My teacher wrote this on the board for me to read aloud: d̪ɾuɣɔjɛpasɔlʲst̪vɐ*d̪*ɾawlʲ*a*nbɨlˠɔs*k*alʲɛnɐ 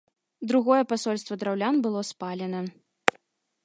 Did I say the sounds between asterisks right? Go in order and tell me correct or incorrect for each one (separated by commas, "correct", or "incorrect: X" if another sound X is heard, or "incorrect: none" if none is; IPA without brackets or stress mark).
correct, correct, incorrect: p